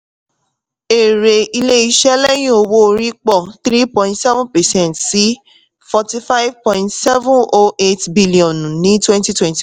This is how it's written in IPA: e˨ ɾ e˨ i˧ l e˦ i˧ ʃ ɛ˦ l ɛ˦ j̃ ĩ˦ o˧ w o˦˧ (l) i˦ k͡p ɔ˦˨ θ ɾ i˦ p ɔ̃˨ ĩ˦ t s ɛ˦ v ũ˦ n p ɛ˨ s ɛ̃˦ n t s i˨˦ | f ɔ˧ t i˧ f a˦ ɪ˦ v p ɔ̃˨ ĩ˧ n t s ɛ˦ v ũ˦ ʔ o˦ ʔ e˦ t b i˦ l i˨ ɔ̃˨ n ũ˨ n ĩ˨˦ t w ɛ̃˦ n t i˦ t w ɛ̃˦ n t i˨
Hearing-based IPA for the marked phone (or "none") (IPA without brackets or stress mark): ɾ